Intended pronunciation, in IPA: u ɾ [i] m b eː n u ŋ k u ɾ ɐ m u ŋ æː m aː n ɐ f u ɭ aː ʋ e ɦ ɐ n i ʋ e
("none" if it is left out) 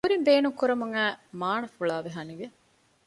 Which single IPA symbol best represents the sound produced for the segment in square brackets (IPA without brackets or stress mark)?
i